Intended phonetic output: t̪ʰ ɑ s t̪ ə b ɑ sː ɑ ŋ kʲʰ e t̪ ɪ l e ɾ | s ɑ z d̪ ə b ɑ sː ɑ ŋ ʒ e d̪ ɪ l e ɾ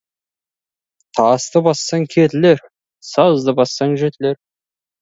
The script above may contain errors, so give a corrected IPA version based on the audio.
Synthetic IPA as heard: t̪ʰ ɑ s t̪ ə b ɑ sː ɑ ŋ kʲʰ e t̪ ɪ l e ɾ | s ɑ z d̪ ə b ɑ sː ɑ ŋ ʒ e t̪ ɪ l e ɾ